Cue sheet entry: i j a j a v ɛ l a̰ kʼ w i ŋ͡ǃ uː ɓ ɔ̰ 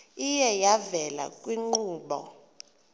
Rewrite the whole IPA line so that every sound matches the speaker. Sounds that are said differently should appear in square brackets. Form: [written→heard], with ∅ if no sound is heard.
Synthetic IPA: i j [a→ɛ] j a v ɛ l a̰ kʼ w i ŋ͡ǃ uː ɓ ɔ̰

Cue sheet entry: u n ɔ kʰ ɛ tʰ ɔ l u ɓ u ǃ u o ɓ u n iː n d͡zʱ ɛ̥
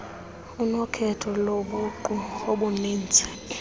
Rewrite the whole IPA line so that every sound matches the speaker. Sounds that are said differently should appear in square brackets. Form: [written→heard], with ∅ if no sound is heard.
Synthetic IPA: u n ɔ kʰ ɛ tʰ ɔ l [u→o] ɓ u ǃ u o ɓ u n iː n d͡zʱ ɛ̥

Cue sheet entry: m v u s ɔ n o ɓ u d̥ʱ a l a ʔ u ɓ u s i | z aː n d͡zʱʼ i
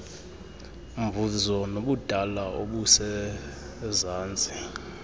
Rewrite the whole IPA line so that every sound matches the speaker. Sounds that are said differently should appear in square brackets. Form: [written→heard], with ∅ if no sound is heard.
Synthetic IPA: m v u [s→z] ɔ n o ɓ u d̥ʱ a l a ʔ [u→o] ɓ u s [i→ɛ] | z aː n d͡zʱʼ i

